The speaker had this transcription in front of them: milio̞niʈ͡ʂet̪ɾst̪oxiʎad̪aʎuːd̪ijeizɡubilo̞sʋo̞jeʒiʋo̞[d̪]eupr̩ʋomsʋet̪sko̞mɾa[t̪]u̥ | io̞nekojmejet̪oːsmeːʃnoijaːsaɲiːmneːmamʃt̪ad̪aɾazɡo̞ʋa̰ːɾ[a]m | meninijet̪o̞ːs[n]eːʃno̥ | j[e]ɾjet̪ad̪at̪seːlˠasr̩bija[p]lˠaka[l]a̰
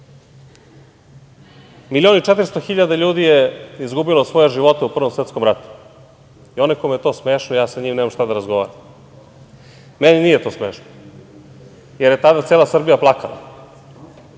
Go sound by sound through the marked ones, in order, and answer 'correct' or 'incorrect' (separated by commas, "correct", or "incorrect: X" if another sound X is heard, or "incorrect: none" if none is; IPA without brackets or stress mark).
incorrect: t̪, correct, correct, incorrect: m, correct, correct, correct